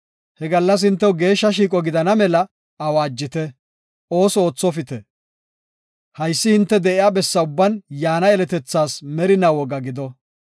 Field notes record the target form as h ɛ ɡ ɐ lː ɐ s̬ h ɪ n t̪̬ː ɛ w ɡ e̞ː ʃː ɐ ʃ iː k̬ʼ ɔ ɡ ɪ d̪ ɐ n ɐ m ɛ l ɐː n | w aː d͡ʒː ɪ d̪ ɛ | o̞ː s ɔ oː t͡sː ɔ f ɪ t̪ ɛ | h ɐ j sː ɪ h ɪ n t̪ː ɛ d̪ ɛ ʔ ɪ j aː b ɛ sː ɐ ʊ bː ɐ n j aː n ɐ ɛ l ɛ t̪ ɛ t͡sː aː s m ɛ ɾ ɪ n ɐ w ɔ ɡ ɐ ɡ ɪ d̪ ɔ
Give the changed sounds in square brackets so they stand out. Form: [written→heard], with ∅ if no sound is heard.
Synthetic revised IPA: h ɛ ɡ ɐ lː ɐ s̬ h ɪ n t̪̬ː ɛ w ɡ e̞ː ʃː ɐ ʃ iː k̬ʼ ɔ ɡ ɪ d̪ ɐ n ɐ m ɛ l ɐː [n→∅] | w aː d͡ʒː ɪ [d̪→t̪] ɛ | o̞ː s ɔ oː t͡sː ɔ f ɪ t̪ ɛ | h ɐ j sː ɪ h ɪ n t̪ː ɛ d̪ ɛ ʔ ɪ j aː b ɛ sː ɐ ʊ bː ɐ n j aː n ɐ ɛ l ɛ t̪ ɛ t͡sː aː s m ɛ ɾ ɪ n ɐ w ɔ ɡ ɐ ɡ ɪ d̪ ɔ

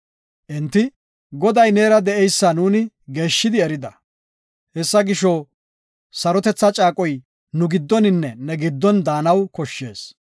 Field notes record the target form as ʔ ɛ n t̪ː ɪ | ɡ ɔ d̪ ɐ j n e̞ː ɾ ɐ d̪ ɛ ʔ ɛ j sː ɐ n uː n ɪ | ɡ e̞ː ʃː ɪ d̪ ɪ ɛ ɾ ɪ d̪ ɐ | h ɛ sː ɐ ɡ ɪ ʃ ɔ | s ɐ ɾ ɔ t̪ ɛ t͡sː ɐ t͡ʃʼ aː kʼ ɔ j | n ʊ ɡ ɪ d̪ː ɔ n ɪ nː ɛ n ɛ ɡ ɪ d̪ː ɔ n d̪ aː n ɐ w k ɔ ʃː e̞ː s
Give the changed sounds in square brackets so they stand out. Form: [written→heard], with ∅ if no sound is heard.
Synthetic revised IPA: ʔ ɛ n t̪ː ɪ | ɡ ɔ d̪ ɐ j n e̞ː ɾ ɐ d̪ ɛ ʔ ɛ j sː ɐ n uː n ɪ | ɡ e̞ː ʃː ɪ d̪ ɪ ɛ ɾ ɪ d̪ ɐ | h ɛ sː ɐ ɡ ɪ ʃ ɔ | s ɐ ɾ ɔ t̪ ɛ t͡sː ɐ t͡ʃʼ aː kʼ ɔ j | n ʊ ɡ ɪ d̪ː ɔ n ɪ nː ɛ n ɛ ɡ ɪ d̪ː ɔ n d̪ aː n ɐ w k ɔ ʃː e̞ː s

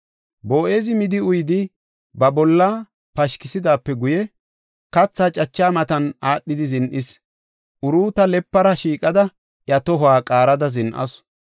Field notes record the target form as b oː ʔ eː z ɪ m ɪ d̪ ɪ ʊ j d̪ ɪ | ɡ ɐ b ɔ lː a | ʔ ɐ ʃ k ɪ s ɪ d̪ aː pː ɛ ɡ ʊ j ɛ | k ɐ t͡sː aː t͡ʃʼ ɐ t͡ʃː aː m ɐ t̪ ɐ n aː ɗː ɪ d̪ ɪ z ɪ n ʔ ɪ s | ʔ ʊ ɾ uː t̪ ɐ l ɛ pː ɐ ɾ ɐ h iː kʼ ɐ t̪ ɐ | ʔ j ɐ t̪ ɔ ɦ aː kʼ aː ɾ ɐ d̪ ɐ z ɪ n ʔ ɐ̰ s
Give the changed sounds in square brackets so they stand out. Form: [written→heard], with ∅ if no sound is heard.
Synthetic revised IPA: b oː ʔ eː z ɪ m ɪ d̪ ɪ ʊ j d̪ ɪ | [ɡ→b] ɐ b ɔ lː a | [ʔ→p] ɐ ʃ k ɪ s ɪ d̪ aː pː ɛ ɡ ʊ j ɛ | k ɐ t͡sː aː t͡ʃʼ ɐ t͡ʃː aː m ɐ t̪ ɐ n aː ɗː ɪ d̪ ɪ z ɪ n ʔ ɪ s | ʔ ʊ ɾ uː t̪ ɐ l ɛ pː ɐ ɾ ɐ [h→ʃ] iː kʼ ɐ [t̪→d̪] ɐ | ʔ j ɐ t̪ ɔ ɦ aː kʼ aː ɾ ɐ d̪ ɐ z ɪ n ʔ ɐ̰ s

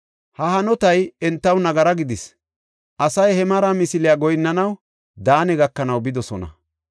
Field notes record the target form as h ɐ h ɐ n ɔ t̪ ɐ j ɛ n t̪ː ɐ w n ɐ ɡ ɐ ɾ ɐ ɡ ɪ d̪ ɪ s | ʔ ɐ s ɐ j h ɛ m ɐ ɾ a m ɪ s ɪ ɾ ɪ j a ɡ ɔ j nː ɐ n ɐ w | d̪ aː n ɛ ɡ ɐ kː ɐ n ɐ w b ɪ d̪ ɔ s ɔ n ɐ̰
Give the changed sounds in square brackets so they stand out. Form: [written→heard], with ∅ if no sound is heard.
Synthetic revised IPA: h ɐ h ɐ n ɔ t̪ ɐ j ɛ n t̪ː ɐ w n ɐ ɡ ɐ ɾ ɐ ɡ ɪ d̪ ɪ s | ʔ ɐ s ɐ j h ɛ m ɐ ɾ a m ɪ s ɪ [ɾ→l] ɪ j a ɡ ɔ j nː ɐ n ɐ w | d̪ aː n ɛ ɡ ɐ kː ɐ n ɐ w b ɪ d̪ ɔ s ɔ n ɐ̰

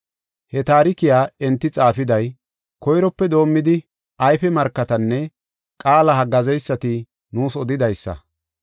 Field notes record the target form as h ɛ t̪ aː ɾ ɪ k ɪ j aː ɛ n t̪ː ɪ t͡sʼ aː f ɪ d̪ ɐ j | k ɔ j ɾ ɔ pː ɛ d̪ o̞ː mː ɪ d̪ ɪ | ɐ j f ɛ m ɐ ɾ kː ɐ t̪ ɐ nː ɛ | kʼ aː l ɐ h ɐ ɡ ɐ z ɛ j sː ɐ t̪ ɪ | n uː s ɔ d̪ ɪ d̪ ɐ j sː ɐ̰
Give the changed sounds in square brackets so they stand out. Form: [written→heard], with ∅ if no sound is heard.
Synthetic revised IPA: h ɛ t̪ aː ɾ ɪ k ɪ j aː ɛ n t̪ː ɪ t͡sʼ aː f ɪ d̪ ɐ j | k ɔ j ɾ ɔ pː ɛ d̪ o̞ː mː ɪ d̪ ɪ | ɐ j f ɛ m ɐ ɾ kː ɐ t̪ ɐ nː ɛ | kʼ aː l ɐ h ɐ ɡ ɐ z ɛ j sː ɐ t̪ ɪ | n uː s ɔ d̪ ɪ d̪ ɐ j sː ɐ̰

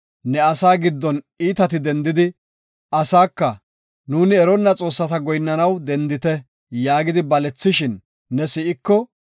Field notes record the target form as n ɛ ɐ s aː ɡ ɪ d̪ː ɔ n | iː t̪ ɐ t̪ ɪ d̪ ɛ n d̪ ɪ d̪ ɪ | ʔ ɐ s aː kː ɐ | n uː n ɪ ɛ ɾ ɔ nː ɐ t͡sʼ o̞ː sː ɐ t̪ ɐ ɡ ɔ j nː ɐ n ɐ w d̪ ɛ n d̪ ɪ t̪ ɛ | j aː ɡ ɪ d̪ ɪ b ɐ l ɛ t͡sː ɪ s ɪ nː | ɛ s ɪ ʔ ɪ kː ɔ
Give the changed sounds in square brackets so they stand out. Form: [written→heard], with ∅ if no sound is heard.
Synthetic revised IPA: n ɛ ɐ s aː ɡ ɪ d̪ː ɔ n | iː t̪ ɐ t̪ ɪ d̪ ɛ n d̪ ɪ d̪ ɪ | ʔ ɐ s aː kː ɐ | n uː n ɪ ɛ ɾ ɔ nː ɐ t͡sʼ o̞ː sː ɐ t̪ ɐ ɡ ɔ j nː ɐ n ɐ w d̪ ɛ n d̪ ɪ t̪ ɛ | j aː ɡ ɪ d̪ ɪ b ɐ l ɛ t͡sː ɪ [s→ʃ] ɪ nː | ɛ s ɪ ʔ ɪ kː ɔ

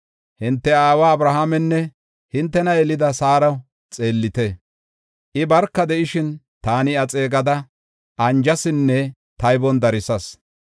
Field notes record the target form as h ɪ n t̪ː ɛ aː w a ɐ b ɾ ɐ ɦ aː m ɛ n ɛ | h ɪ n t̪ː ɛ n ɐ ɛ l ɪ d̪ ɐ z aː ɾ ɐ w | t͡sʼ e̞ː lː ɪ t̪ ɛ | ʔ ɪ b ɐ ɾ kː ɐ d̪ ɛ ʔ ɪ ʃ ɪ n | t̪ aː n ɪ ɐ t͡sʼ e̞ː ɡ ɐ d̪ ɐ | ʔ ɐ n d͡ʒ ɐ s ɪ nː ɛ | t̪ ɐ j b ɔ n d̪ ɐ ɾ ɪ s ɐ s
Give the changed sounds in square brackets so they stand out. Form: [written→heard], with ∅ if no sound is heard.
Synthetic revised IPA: h ɪ n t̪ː ɛ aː w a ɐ b ɾ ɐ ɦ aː m ɛ [n→nː] ɛ | h ɪ n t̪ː ɛ n ɐ ɛ l ɪ d̪ ɐ [z→s] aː ɾ ɐ w | t͡sʼ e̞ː lː ɪ t̪ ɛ | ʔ ɪ b ɐ ɾ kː ɐ d̪ ɛ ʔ ɪ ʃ ɪ n | t̪ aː n ɪ ɐ t͡sʼ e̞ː ɡ ɐ d̪ ɐ | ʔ ɐ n d͡ʒ ɐ s ɪ nː ɛ | t̪ ɐ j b ɔ n d̪ ɐ ɾ ɪ s ɐ s

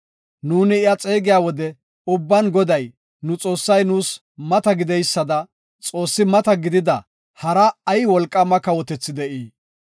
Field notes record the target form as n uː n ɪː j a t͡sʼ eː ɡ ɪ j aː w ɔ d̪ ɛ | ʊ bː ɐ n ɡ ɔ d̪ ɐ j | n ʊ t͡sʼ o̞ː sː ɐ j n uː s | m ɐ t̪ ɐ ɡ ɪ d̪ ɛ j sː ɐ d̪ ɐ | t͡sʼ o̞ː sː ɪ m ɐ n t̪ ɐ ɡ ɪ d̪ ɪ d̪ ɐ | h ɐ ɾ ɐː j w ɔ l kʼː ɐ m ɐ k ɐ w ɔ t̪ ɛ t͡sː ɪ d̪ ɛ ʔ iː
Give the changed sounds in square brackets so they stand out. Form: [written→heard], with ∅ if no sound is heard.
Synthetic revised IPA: n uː n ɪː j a t͡sʼ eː ɡ ɪ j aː w ɔ d̪ ɛ | ʊ bː ɐ n ɡ ɔ d̪ ɐ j | n ʊ t͡sʼ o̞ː sː ɐ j n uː s | m ɐ t̪ ɐ ɡ ɪ d̪ ɛ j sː ɐ d̪ ɐ | t͡sʼ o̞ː sː ɪ m ɐ [n→∅] t̪ ɐ ɡ ɪ d̪ ɪ d̪ ɐ | h ɐ ɾ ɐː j w ɔ l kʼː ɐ m ɐ k ɐ w ɔ t̪ ɛ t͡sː ɪ d̪ ɛ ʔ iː

